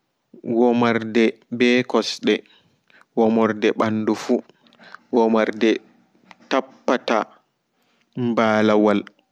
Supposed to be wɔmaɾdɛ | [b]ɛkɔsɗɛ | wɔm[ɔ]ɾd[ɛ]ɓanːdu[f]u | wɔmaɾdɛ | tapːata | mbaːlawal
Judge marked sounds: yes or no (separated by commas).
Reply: yes, yes, yes, yes